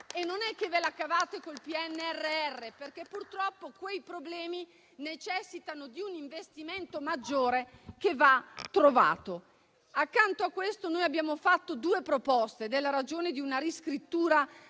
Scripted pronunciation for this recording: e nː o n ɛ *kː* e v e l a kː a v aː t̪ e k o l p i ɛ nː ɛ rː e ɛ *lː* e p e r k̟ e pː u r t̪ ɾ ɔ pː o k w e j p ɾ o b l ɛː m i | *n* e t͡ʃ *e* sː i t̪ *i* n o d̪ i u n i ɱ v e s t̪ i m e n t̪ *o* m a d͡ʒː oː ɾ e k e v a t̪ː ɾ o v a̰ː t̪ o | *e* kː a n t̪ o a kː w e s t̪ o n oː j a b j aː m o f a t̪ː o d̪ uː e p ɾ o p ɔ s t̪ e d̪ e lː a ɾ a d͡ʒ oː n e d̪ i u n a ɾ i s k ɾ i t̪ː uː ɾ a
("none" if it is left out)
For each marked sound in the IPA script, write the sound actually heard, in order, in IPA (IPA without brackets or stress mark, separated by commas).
kː, rː, n, ɛ, a, o, a